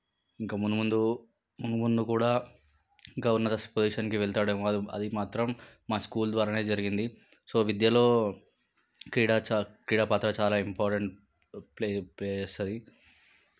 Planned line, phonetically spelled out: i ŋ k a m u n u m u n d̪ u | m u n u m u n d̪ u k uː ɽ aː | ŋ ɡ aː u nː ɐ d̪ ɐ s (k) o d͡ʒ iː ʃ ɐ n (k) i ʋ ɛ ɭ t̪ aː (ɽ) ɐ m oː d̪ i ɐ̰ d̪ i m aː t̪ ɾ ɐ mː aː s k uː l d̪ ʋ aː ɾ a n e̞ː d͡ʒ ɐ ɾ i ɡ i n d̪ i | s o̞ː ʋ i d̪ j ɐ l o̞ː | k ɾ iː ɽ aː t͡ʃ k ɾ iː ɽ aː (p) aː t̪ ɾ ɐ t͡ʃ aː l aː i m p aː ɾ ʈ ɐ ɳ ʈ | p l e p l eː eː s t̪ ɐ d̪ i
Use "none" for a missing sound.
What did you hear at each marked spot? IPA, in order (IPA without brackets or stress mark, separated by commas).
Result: p, k, ɽ, p